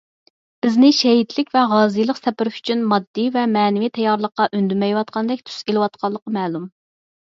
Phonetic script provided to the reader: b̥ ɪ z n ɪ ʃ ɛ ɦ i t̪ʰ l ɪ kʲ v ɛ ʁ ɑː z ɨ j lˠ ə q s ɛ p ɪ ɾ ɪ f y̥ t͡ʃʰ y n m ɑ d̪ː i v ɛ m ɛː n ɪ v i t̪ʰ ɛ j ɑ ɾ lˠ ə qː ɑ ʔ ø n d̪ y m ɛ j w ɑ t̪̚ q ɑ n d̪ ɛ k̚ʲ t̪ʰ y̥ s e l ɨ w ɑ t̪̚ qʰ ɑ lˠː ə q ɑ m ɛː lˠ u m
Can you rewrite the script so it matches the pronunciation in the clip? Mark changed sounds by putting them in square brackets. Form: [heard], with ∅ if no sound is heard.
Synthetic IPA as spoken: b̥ ɪ z n ɪ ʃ ɛ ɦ i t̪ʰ l ɪ kʲ v ɛ ʁ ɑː z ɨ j lˠ ə q s ɛ p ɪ ɾ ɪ f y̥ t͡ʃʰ y n m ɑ d̪ː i v ɛ m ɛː n ɪ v i t̪ʰ ɛ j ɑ ɾ lˠ ə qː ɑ ʔ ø n d̪ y m ɛ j w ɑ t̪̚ q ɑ n d̪ ɛ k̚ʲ t̪ʰ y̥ s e l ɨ w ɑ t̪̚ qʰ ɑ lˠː ə q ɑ m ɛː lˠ u m

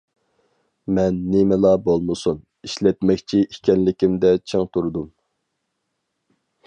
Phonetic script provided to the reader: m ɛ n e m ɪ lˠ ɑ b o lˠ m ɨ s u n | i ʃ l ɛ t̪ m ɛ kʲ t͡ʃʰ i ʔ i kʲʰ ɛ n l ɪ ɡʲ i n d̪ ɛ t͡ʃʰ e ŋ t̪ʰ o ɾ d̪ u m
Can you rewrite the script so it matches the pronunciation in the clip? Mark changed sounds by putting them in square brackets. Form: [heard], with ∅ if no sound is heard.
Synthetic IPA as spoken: m ɛ [nː] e m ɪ lˠ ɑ b o lˠ m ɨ s u n | i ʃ l ɛ t̪ m ɛ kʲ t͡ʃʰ i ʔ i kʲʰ ɛ n l ɪ [kʲ] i [m] d̪ ɛ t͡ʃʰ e ŋ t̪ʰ [u] ɾ d̪ u m

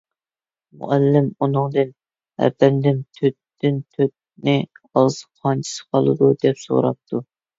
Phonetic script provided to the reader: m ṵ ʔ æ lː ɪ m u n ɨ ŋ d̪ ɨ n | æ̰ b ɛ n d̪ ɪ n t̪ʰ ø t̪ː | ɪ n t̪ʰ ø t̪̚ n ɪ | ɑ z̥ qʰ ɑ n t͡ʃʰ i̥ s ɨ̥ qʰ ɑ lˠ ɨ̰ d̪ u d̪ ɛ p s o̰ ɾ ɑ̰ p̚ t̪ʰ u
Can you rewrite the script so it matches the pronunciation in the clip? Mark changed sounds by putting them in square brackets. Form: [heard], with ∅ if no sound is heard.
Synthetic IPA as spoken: m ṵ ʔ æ lː ɪ m u n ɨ ŋ d̪ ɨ n | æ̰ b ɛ n d̪ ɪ n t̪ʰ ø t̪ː | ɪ n t̪ʰ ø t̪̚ n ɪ | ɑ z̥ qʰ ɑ n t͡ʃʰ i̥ s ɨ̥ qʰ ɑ lˠ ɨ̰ d̪ u d̪ ɛ p s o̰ ɾ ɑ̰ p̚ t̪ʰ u

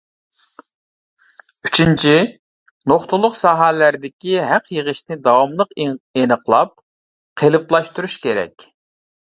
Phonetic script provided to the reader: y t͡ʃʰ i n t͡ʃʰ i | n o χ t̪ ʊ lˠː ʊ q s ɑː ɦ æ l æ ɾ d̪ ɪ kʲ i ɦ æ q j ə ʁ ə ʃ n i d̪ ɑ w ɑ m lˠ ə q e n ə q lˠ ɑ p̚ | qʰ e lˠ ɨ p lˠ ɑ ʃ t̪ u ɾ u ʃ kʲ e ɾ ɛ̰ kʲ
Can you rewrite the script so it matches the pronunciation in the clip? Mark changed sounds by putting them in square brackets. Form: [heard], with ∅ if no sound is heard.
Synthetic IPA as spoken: y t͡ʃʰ i n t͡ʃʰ i | n o χ t̪ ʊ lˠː ʊ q s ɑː ɦ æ l æ ɾ d̪ ɪ kʲ i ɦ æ q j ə ʁ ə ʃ n [ɪ] d̪ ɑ w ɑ m lˠ ə q e n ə q lˠ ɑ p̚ | qʰ e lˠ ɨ p lˠ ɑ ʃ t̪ u ɾ u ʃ kʲ e ɾ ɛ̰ kʲ

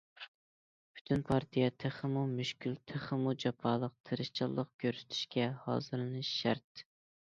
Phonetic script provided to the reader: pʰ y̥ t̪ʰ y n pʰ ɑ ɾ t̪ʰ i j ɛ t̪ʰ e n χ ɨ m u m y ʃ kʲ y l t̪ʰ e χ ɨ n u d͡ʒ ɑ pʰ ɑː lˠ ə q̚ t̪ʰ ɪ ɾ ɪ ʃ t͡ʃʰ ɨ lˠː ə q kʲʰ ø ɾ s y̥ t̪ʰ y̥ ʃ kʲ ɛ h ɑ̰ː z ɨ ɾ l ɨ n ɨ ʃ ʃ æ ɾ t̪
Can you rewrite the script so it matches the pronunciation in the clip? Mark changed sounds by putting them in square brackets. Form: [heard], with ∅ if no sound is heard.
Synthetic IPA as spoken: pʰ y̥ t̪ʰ y n pʰ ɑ ɾ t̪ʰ i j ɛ t̪ʰ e [∅] χ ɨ m u m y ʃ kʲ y l t̪ʰ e χ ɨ [m] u d͡ʒ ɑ pʰ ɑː lˠ ə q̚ t̪ʰ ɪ ɾ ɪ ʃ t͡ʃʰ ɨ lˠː ə q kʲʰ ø ɾ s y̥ t̪ʰ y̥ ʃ kʲ ɛ h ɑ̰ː z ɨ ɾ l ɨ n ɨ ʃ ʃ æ ɾ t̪

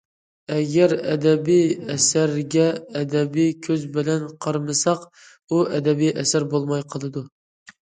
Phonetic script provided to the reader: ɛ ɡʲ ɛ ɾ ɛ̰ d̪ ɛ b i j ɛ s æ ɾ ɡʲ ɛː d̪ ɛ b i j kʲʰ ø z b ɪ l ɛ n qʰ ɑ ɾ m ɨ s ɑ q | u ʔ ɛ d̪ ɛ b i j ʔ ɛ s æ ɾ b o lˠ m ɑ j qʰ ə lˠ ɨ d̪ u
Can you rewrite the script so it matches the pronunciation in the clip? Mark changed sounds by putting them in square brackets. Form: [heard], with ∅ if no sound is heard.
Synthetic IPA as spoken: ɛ ɡʲ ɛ ɾ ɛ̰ d̪ ɛ b i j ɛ s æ ɾ ɡʲ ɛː d̪ ɛ b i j kʲʰ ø z b ɪ l ɛ n qʰ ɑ ɾ m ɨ s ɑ q | u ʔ ɛ d̪ ɛ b i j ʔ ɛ s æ ɾ b o lˠ m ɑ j qʰ ə lˠ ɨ d̪ u

